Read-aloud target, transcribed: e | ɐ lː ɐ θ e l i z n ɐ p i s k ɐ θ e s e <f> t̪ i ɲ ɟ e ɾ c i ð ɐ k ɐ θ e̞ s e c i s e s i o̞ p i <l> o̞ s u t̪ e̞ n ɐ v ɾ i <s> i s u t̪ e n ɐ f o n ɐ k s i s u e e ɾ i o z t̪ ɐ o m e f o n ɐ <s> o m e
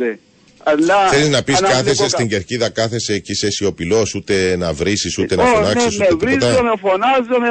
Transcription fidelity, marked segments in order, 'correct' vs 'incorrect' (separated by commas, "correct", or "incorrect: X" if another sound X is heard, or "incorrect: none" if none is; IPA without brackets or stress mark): incorrect: s, correct, correct, incorrect: z